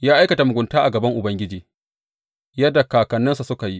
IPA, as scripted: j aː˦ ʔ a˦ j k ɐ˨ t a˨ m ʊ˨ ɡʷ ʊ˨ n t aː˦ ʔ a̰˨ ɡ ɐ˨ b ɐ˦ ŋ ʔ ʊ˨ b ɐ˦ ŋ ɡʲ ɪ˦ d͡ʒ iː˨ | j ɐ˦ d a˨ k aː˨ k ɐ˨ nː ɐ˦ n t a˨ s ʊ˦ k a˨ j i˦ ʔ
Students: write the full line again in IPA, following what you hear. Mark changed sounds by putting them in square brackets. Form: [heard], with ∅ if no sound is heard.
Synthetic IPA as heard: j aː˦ ʔ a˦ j k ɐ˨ t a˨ m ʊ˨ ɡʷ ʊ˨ n t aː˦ ʔ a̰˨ ɡ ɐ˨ b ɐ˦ ŋ ʔ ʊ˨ b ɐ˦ ŋ ɡʲ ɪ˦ d͡ʒ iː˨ | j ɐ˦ d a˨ k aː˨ k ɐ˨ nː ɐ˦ n [s] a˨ s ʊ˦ k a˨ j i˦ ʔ